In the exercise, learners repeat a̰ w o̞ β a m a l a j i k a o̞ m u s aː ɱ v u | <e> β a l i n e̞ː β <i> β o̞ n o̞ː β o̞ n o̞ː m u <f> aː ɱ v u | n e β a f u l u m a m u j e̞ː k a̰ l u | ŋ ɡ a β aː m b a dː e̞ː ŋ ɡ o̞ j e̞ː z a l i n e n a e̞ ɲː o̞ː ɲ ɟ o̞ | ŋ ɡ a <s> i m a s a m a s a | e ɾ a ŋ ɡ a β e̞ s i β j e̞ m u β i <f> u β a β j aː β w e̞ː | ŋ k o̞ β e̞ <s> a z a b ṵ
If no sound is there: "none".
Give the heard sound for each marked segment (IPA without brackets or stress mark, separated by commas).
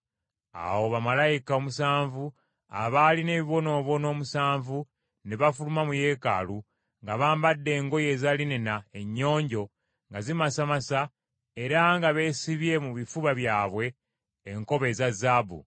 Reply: a, i, s, z, f, z